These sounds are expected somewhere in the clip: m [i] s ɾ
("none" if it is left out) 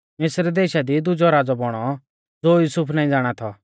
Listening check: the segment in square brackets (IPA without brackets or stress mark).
ɪ